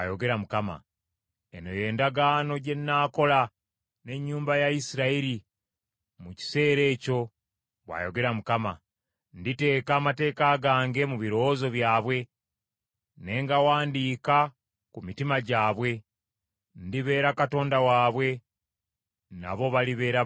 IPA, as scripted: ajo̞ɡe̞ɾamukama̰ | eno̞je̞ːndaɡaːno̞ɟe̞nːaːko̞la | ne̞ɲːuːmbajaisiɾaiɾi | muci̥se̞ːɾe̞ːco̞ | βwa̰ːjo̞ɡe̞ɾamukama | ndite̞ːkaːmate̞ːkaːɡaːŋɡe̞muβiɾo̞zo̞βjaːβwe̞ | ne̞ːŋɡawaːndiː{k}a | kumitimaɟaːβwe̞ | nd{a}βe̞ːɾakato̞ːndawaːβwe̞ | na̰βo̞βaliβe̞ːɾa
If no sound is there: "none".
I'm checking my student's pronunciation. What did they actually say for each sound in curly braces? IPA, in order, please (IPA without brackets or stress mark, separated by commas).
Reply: k, i